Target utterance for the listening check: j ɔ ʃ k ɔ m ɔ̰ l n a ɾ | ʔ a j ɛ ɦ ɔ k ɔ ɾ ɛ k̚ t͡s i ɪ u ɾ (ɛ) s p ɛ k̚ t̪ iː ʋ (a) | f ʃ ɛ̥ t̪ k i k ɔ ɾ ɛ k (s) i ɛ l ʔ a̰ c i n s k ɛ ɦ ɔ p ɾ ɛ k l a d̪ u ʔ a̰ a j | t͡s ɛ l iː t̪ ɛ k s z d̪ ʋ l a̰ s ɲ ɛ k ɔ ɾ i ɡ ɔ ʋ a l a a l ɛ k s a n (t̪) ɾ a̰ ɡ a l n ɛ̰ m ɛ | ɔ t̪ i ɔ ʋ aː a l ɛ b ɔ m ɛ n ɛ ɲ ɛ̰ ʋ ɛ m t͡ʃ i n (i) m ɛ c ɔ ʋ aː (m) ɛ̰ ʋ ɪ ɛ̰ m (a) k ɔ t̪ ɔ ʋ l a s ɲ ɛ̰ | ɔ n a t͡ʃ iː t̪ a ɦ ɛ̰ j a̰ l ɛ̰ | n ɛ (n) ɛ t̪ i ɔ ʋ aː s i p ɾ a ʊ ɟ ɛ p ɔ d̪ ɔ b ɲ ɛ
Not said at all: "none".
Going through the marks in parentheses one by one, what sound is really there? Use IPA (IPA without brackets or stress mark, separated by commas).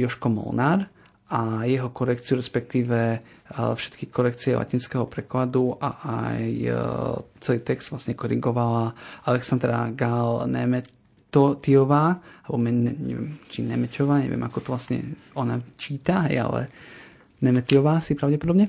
ɛ, ɛ, t͡s, d̪, ɛ, ɲ, a, m